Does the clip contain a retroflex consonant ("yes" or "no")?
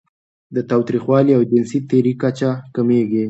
no